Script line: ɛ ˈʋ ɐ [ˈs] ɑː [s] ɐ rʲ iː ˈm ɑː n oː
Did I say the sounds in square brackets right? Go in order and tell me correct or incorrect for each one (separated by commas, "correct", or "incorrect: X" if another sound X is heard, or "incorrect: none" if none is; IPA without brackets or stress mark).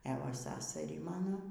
correct, correct